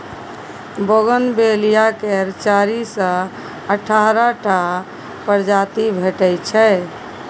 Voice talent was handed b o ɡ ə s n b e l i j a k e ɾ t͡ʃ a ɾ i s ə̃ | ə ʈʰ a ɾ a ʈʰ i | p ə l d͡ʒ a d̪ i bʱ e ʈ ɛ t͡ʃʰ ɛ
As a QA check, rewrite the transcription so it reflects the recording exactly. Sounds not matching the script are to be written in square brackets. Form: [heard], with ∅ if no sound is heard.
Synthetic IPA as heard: b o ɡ ə [∅] n b e l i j a k e ɾ t͡ʃ a ɾ i s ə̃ | ə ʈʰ a ɾ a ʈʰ [a] | p ə [ɾ] d͡ʒ a [t̪] i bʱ e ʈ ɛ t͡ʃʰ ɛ